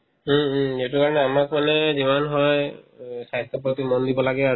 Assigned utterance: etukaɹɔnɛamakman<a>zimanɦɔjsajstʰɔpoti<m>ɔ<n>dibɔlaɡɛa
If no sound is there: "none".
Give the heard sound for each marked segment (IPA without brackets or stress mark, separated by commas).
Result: ɛ, m, n